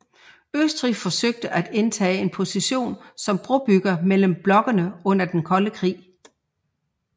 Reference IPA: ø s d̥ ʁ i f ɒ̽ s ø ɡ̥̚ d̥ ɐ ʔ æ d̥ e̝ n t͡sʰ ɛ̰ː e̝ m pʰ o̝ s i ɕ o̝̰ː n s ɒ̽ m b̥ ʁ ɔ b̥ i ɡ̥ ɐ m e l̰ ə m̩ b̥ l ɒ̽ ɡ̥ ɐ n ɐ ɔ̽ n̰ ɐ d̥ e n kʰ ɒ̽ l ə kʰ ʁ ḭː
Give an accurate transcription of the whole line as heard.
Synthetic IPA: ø s d̥ ʁ i f ɒ̽ s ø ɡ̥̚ d̥ ə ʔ æ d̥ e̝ n t͡sʰ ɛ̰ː e̝ n pʰ o̝ s i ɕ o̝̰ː n s ɒ̽ m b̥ ʁ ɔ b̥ y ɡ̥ ɐ m e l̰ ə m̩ b̥ l ɒ̽ ɡ̥ ɐ n ə ɔ̽ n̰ ɐ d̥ e n kʰ ɒ̽ l ə kʰ ʁ ḭː